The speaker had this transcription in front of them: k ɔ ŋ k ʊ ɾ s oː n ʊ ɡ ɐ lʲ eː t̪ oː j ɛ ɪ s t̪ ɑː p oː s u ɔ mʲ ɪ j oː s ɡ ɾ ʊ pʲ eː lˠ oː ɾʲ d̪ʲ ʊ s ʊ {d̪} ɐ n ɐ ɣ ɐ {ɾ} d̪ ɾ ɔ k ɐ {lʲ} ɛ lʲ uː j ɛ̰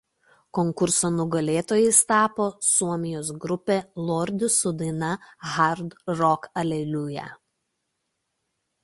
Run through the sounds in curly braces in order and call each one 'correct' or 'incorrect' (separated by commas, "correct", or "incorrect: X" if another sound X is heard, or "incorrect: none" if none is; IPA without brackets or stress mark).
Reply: correct, correct, correct